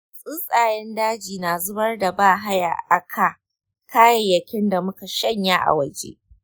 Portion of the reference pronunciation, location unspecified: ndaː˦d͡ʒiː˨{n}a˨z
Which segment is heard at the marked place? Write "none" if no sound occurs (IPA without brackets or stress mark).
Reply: n